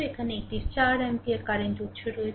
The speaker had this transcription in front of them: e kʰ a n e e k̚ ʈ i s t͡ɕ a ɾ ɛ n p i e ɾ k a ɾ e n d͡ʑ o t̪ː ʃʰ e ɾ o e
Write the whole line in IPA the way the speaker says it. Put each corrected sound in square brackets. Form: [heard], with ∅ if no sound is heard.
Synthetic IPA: e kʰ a n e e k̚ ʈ i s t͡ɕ a ɾ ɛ [m] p i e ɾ k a ɾ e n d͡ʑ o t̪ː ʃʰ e ɾ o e